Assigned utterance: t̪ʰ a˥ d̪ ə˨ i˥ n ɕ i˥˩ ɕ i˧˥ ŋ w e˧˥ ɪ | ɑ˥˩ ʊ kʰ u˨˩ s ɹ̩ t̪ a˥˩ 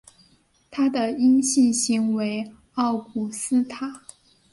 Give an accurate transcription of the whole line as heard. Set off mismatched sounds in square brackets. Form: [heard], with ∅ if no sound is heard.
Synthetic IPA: t̪ʰ a˥ d̪ ə˨ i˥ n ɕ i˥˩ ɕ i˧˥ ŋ w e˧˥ ɪ | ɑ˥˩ ʊ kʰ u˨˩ s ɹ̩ [t̪ʰ] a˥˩

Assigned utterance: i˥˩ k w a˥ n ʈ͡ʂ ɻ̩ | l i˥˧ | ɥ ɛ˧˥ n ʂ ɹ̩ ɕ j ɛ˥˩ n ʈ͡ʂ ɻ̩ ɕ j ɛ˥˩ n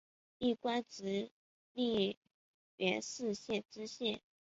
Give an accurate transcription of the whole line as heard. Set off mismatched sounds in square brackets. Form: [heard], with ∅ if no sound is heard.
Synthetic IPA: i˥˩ k w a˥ n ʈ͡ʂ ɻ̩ | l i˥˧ | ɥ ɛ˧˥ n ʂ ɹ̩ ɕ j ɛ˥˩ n ʈ͡ʂ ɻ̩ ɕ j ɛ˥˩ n

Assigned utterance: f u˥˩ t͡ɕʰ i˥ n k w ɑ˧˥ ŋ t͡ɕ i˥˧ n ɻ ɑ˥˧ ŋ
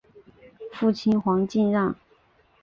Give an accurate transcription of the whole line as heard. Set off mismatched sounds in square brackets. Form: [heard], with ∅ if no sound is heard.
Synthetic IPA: f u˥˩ t͡ɕʰ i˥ n [x] w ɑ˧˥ ŋ t͡ɕ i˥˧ n ɻ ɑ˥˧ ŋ

